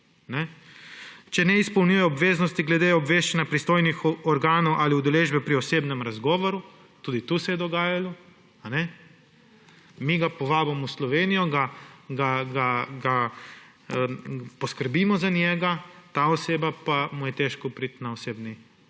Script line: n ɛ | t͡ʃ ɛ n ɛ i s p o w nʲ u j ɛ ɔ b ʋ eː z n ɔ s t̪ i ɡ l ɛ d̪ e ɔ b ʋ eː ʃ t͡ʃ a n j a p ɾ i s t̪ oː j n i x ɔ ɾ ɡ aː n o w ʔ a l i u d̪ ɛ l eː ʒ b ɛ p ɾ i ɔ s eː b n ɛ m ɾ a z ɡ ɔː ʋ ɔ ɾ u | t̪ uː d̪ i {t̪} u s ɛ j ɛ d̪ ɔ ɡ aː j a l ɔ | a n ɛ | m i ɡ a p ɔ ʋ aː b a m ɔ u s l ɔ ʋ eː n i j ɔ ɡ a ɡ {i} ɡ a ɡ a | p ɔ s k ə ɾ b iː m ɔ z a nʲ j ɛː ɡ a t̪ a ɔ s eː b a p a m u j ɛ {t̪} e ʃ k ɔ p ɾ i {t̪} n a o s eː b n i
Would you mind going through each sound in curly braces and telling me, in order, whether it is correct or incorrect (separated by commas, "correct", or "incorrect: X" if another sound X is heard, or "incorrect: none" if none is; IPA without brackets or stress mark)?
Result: correct, incorrect: a, correct, correct